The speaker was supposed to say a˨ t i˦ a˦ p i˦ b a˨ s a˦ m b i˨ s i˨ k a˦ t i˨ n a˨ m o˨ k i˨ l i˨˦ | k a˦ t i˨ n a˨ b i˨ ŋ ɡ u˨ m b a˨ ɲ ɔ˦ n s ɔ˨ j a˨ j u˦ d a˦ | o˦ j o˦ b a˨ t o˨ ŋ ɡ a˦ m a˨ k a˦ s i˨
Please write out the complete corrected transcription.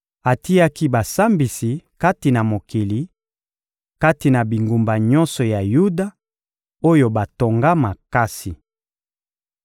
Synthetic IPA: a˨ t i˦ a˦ k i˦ b a˨ s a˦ m b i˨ s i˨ k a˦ t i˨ n a˨ m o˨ k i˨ l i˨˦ | k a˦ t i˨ n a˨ b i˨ ŋ ɡ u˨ m b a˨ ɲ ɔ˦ n s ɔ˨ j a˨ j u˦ d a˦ | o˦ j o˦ b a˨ t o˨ ŋ ɡ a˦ m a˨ k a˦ s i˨